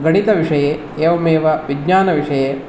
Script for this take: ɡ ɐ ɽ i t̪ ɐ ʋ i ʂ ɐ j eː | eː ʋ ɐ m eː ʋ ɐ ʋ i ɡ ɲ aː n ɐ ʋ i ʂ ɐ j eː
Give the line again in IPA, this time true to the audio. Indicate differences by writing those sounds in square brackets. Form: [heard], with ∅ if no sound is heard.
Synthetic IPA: ɡ ɐ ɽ i t̪ ɐ ʋ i ʂ ɐ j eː | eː ʋ ɐ m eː ʋ ɐ ʋ i ɡ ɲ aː n ɐ ʋ i ʂ ɐ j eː